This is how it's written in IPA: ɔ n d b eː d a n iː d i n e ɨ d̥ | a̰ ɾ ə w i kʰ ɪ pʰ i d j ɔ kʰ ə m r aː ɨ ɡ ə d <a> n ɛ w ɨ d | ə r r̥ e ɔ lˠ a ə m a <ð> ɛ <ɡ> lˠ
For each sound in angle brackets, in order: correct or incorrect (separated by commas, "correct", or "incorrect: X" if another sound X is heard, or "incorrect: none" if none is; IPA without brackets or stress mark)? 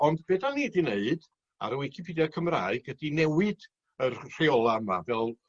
incorrect: i, incorrect: v, incorrect: none